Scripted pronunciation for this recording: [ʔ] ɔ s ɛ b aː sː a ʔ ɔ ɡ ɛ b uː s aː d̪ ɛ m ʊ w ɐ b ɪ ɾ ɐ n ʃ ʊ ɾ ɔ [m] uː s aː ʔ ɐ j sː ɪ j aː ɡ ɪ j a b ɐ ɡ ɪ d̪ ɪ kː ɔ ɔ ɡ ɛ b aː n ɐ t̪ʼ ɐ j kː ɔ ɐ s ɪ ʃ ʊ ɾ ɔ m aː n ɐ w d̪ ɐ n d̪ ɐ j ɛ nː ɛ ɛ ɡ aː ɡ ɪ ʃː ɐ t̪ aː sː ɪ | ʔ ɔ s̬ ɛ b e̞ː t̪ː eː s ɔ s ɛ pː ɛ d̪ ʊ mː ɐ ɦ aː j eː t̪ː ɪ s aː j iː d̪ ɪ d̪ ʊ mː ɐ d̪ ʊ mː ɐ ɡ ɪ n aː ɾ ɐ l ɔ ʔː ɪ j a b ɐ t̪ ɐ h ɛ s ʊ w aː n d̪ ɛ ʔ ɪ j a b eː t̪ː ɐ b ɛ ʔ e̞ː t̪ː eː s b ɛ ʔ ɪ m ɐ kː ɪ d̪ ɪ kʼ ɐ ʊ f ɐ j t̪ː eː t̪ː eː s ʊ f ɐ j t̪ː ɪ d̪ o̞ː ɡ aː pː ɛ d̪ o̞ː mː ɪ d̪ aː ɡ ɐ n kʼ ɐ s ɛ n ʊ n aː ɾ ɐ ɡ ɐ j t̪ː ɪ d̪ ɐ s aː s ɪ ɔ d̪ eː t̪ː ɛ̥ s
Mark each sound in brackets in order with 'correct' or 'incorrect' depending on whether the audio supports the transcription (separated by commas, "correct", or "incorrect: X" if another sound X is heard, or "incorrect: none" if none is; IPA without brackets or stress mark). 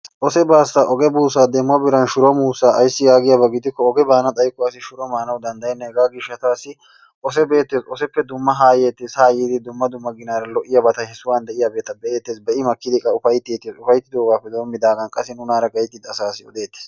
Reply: correct, correct